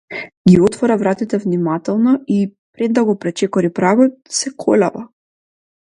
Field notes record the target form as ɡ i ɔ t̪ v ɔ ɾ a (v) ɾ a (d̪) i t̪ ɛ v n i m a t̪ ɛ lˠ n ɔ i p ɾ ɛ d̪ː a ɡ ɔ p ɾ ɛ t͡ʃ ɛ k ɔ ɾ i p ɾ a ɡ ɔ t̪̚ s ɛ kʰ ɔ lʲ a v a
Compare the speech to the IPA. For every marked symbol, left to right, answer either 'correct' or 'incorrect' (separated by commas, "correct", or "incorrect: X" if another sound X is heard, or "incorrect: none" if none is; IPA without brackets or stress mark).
correct, incorrect: t̪